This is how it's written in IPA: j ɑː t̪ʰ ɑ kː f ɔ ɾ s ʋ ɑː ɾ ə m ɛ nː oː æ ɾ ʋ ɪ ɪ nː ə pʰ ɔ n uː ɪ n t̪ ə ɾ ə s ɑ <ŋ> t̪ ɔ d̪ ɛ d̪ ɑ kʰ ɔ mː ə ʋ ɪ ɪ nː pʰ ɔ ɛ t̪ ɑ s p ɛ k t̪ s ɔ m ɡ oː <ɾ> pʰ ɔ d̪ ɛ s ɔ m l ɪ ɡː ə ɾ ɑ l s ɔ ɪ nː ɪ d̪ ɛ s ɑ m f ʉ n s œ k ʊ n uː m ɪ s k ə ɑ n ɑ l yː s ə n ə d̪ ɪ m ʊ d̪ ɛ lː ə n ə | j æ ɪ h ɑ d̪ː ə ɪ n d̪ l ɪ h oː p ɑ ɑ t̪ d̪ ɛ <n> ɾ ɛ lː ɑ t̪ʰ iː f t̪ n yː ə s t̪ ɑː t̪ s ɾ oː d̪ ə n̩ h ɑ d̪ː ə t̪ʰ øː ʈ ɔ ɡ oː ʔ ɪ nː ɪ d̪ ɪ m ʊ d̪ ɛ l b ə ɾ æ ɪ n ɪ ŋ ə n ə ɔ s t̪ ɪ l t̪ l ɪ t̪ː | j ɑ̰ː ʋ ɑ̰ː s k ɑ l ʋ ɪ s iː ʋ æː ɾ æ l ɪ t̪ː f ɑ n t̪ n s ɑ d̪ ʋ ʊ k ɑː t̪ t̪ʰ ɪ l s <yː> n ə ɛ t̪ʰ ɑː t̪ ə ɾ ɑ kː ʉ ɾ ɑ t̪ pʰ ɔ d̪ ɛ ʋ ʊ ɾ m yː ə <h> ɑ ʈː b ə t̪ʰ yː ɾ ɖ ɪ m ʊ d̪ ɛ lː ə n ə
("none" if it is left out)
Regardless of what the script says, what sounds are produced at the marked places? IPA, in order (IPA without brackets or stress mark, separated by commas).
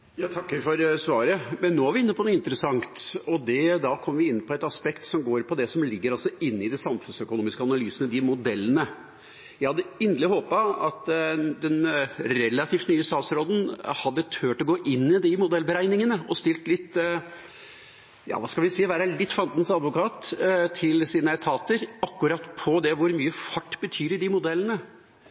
ŋ, ɾ, n, iː, f